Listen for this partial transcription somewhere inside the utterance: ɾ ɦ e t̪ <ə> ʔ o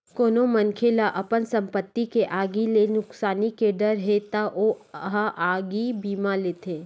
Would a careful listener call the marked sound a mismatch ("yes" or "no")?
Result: yes